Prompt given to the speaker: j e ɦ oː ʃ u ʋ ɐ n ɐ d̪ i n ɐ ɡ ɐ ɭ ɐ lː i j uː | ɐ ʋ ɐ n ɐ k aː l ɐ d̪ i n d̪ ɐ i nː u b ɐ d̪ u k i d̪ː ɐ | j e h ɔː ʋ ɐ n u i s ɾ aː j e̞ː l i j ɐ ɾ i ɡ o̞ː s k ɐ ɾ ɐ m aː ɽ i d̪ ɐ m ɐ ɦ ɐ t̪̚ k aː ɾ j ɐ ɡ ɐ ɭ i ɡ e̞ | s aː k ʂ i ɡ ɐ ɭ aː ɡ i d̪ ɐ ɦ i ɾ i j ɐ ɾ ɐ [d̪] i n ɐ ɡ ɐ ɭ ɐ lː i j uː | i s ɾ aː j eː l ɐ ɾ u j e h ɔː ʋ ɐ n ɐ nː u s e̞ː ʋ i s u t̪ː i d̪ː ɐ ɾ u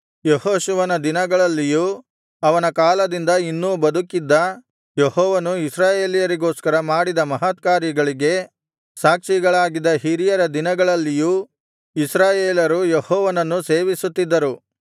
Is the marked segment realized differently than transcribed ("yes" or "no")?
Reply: no